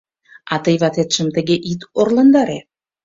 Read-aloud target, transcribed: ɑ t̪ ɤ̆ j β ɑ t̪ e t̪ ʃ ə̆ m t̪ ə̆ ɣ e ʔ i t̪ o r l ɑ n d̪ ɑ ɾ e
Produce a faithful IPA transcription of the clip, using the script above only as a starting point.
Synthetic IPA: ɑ t̪ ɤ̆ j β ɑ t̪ e t̪ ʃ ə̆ m t̪ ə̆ ɣ e ʔ i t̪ o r l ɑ n d̪ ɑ ɾ e